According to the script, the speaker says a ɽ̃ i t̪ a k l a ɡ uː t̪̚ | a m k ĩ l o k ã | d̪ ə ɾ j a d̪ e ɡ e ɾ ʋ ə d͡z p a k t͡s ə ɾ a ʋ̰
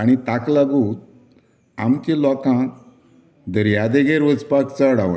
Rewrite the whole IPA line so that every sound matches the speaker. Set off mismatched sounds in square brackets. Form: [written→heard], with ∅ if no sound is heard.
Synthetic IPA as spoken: a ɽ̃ i t̪ a k l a ɡ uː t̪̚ | a m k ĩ l [o→ɔ] k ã | d̪ ə ɾ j a d̪ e ɡ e ɾ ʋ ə d͡z p a k t͡s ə [ɾ→ɽ] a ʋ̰